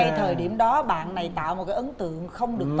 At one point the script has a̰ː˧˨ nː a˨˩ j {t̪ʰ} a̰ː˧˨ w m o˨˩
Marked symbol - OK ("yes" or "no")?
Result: no